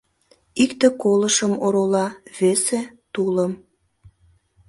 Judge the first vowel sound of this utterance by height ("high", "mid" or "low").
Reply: high